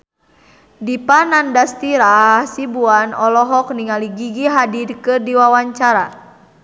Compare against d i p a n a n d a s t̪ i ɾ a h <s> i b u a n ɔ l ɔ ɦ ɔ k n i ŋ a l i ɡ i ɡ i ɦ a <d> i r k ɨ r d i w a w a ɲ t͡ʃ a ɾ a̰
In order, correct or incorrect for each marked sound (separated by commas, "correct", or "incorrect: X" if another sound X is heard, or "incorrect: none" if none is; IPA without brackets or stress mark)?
correct, correct